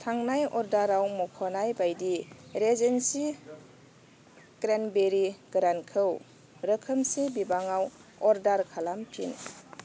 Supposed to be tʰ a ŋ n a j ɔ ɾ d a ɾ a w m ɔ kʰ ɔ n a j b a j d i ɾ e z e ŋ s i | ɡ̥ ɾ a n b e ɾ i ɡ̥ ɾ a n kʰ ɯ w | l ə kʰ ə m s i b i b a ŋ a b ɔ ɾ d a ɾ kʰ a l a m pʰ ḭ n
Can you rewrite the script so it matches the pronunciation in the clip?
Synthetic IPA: tʰ a ŋ n a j ɔ ɾ d a ɾ a w m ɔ kʰ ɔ n a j b a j d i ɾ e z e n s i | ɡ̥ ɾ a n b e ɾ i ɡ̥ ɾ a n kʰ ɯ w | ɾ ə kʰ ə m s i b i b a ŋ a w ɔ ɾ d a ɾ kʰ a l a m pʰ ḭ n